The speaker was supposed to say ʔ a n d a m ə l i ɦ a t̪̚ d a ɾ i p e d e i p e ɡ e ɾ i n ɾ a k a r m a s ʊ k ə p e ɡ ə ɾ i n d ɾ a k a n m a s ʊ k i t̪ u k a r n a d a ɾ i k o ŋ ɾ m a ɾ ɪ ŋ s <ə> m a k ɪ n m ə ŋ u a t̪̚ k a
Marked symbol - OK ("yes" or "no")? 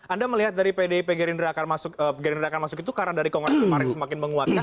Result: yes